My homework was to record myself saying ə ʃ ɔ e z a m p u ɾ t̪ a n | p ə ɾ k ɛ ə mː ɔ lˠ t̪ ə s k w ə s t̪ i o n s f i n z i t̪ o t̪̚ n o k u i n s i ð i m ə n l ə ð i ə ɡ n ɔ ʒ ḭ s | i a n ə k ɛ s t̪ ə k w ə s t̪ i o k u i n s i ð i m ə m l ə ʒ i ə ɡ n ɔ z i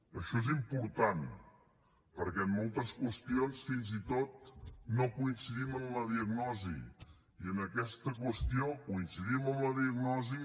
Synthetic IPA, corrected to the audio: ə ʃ ɔ e z i m p u ɾ t̪ a n | p ə ɾ k ɛ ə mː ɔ lˠ t̪ ə s k w ə s t̪ i o n s f i n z i t̪ o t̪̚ n o k u i n s i ð i m ə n l ə ð i ə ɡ n ɔ z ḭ | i ə n ə k ɛ s t̪ ə k w ə s t̪ i o k u i n s i ð i m ə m l ə ð i ə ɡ n ɔ z i